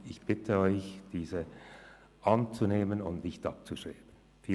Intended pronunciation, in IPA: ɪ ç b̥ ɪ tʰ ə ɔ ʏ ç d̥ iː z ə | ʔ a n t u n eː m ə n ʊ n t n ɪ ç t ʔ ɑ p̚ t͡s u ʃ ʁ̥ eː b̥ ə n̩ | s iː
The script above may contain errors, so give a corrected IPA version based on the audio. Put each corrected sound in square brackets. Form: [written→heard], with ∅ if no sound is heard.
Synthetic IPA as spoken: ɪ ç b̥ ɪ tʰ ə ɔ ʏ ç d̥ iː z ə | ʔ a n [t→t͡s] u n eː m ə n ʊ n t n ɪ ç t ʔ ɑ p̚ t͡s u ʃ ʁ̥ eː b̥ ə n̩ | [s→f] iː